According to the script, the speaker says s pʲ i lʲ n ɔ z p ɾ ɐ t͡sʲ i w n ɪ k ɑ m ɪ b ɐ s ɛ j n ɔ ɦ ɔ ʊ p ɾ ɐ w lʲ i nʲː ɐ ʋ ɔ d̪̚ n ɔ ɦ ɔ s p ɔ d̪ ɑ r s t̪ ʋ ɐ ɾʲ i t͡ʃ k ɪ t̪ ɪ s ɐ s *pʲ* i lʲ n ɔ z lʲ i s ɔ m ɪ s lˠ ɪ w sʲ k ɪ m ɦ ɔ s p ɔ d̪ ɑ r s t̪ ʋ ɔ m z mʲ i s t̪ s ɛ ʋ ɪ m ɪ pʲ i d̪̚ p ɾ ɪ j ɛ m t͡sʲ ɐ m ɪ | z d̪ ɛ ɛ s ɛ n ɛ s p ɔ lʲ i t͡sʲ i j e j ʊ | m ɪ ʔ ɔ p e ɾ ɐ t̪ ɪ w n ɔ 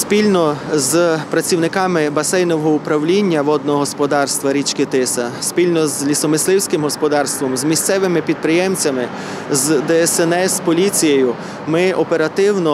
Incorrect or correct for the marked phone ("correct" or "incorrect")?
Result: correct